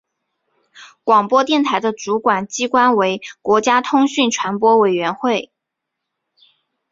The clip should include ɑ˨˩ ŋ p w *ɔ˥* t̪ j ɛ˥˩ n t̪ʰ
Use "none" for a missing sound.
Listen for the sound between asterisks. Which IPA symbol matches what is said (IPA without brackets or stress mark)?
ɔ˥